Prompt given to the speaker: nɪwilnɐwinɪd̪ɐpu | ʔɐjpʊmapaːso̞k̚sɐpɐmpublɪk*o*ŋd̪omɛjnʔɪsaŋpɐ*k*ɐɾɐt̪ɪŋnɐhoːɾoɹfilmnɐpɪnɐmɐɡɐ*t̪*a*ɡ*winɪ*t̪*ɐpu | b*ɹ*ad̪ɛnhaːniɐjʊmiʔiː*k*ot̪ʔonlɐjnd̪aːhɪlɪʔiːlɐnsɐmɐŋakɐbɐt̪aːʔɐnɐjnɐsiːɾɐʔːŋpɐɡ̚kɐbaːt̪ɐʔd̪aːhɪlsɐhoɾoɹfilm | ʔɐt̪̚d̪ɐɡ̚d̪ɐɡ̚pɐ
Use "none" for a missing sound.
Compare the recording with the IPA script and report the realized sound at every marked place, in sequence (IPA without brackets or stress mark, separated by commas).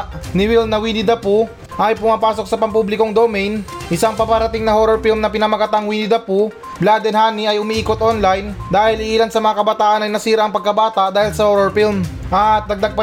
o, p, t̪, ŋ, d̪, l, k